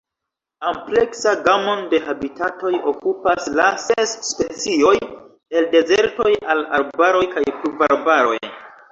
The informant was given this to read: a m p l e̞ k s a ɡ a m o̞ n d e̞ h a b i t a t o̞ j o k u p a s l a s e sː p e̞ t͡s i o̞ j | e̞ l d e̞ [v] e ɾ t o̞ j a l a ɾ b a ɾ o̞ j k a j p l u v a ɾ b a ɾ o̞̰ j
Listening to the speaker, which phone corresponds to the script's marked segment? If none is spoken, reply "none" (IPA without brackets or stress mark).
z